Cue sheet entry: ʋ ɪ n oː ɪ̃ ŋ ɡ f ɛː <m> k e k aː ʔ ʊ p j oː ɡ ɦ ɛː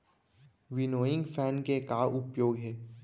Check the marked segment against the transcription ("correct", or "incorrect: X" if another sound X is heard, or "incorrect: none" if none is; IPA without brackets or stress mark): incorrect: n